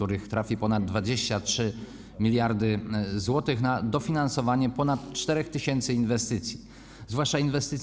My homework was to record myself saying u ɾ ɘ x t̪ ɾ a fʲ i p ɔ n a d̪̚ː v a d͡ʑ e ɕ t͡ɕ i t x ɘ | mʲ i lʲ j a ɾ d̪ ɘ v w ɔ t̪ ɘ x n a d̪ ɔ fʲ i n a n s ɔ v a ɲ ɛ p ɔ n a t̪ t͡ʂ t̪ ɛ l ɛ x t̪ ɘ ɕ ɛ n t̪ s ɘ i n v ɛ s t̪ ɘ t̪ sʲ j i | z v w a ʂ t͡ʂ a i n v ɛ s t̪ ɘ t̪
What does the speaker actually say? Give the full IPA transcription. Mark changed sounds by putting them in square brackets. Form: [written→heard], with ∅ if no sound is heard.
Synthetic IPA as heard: u ɾ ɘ x t̪ ɾ a fʲ i p ɔ n a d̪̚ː v a d͡ʑ e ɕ t͡ɕ [i→a] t [x→ʂ] ɘ | mʲ i lʲ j a ɾ d̪ ɘ [v→z] w ɔ t̪ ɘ x n a d̪ ɔ fʲ i n a n s ɔ v a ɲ ɛ p ɔ n a t̪ t͡ʂ t̪ ɛ [l→ɾ] ɛ x t̪ ɘ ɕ ɛ n t̪ s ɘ i n v ɛ s t̪ ɘ t̪ sʲ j i | z v w a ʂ t͡ʂ a i n v ɛ s t̪ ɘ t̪